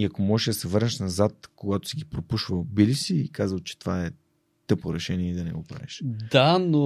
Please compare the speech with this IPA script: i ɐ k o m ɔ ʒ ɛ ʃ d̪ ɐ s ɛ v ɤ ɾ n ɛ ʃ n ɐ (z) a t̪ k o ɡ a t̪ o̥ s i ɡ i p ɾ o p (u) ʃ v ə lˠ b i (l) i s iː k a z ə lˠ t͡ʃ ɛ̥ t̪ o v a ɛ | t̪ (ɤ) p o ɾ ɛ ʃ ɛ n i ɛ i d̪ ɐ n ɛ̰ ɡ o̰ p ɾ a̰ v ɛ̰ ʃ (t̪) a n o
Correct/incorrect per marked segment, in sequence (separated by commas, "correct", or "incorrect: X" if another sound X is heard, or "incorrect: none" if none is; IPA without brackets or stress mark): correct, correct, correct, correct, incorrect: d̪